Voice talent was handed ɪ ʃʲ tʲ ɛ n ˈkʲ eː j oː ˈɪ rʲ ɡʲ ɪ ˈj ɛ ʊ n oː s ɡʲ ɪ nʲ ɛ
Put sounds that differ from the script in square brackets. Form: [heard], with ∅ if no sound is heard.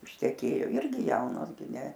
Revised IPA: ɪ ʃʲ tʲ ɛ [∅] ˈkʲ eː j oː ˈɪ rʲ ɡʲ ɪ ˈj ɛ ʊ n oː s ɡʲ ɪ nʲ ɛ